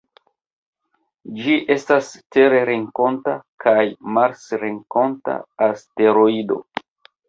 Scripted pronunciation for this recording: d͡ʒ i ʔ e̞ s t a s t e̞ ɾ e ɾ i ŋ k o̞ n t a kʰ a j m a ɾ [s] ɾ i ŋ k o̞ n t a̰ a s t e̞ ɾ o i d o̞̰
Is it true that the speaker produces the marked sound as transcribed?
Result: yes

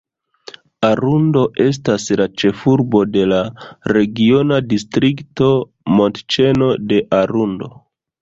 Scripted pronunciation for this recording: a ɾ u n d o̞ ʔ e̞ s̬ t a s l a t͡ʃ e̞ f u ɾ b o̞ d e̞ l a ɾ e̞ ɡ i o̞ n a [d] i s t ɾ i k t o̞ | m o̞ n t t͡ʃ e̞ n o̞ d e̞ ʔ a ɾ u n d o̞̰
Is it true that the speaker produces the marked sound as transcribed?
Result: yes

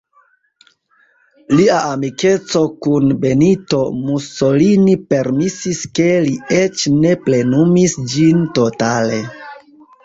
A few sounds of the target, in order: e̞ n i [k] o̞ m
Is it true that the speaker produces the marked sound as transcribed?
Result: no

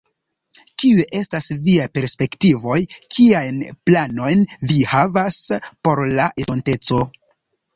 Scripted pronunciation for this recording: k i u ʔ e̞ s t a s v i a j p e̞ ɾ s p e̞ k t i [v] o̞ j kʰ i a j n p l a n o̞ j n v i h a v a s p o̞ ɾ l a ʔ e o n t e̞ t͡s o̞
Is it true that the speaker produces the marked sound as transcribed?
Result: yes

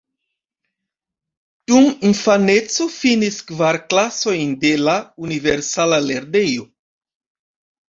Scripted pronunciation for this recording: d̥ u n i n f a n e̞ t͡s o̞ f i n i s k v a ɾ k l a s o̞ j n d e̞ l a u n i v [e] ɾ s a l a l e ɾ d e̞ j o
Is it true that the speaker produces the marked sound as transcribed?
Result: yes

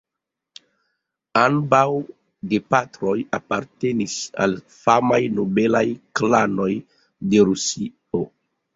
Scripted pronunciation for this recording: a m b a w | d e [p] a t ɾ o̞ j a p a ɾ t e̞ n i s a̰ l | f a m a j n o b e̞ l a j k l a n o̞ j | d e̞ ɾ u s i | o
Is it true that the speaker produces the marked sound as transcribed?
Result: yes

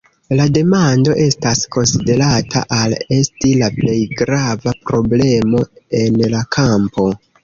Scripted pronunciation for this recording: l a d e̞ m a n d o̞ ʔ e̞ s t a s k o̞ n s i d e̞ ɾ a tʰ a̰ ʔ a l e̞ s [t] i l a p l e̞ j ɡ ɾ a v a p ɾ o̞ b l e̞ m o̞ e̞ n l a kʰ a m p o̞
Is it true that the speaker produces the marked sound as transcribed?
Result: yes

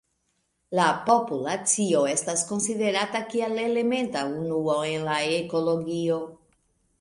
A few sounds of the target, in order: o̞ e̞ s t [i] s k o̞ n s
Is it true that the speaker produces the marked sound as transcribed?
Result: no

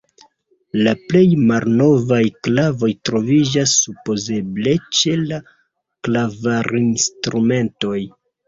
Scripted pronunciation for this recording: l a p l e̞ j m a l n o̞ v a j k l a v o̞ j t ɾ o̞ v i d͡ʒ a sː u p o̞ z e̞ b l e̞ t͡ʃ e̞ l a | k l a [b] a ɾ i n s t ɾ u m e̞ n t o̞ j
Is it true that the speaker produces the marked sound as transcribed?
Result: no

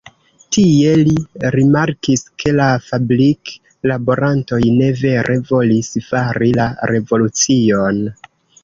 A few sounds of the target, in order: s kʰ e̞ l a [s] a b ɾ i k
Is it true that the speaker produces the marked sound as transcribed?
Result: no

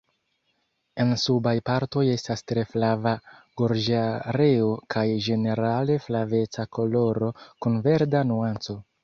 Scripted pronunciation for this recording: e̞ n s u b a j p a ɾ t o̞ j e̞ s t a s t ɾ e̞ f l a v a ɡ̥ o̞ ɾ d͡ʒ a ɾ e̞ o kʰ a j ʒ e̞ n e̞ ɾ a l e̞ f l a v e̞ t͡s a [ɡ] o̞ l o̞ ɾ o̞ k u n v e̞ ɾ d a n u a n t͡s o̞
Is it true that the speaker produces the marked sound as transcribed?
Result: no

